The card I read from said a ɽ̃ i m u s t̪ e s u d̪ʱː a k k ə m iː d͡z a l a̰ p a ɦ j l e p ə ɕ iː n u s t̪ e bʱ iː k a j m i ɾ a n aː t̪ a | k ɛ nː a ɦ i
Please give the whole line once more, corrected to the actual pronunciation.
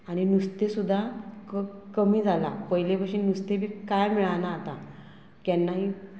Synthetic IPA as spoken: a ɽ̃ i n u s t̪ e s u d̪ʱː a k k ə m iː d͡z a l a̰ p ə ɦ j l e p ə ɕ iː n u s t̪ e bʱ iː k a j m i ɭ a n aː t̪ a | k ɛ nː a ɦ i